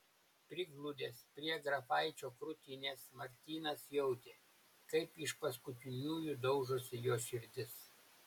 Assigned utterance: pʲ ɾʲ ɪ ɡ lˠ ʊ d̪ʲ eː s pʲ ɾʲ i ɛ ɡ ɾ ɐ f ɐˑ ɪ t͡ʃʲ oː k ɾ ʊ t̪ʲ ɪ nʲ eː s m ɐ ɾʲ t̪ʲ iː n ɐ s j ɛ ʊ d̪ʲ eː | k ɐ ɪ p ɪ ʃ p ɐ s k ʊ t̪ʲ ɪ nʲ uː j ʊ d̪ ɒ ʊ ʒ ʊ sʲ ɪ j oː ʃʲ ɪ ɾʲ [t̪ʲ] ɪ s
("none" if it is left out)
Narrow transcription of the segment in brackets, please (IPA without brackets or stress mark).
d̪ʲ